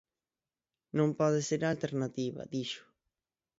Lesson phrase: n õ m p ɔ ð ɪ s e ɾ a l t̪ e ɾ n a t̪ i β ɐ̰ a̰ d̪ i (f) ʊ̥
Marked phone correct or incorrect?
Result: incorrect